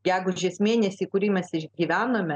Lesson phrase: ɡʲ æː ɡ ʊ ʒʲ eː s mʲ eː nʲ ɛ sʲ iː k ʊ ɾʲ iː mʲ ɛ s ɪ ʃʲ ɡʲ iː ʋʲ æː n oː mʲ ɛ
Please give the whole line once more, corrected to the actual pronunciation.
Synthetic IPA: ɡʲ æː ɡ ʊ ʒʲ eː s mʲ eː nʲ ɛ sʲ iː k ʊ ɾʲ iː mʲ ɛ s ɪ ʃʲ ɡʲ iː ʋʲ æː n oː mʲ ɛ